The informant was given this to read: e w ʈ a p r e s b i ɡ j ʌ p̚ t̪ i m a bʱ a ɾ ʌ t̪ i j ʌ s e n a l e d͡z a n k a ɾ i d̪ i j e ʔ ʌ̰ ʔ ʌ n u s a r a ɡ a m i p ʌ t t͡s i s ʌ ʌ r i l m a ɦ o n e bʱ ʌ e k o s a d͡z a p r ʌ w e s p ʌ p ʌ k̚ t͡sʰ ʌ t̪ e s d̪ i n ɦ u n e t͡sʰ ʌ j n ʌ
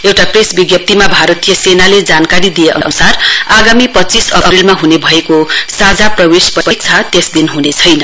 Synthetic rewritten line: e w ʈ a p r e s b i ɡ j ʌ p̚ t̪ i m a bʱ a ɾ ʌ t̪ i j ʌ s e n a l e d͡z a n k a ɾ i d̪ i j e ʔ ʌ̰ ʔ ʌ n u s a r a ɡ a m i p ʌ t t͡s i s ʌ ʌ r i l m a ɦ u n e bʱ ʌ e k o s a d͡z a p r ʌ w e s p ʌ p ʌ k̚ t͡sʰ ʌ t̪ e s d̪ i n ɦ u n e t͡sʰ ʌ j n ʌ